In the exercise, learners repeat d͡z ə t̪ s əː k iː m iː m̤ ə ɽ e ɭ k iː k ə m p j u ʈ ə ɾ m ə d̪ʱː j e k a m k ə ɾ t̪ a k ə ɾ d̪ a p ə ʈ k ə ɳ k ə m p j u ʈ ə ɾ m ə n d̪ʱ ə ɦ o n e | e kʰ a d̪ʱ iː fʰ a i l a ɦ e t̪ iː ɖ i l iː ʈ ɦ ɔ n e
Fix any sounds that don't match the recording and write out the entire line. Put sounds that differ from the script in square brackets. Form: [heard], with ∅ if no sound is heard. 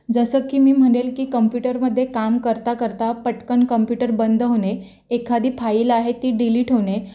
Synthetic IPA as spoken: d͡z ə [∅] s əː k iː m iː m̤ ə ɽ e [l] k iː k ə m p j u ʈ ə ɾ m ə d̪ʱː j e k a m k ə ɾ t̪ a k ə ɾ [t̪] a p ə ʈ k ə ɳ k ə m p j u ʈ ə ɾ [b] ə n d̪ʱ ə ɦ o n e | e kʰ a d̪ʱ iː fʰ a i l a ɦ e t̪ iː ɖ i l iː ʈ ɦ [o] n e